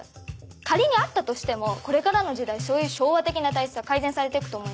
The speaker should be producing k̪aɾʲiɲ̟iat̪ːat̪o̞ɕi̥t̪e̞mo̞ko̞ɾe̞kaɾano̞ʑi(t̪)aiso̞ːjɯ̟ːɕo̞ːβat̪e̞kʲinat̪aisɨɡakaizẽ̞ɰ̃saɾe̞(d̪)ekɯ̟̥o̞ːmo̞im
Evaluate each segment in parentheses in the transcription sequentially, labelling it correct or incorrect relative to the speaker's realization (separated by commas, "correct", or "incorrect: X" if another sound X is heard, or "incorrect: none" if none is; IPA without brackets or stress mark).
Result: incorrect: d̪, incorrect: t̪